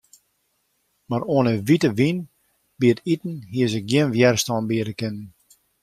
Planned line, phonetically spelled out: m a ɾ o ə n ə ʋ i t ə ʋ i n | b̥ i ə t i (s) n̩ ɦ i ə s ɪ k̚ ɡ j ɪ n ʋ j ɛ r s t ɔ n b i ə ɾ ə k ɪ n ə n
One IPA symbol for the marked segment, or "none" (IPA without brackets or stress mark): t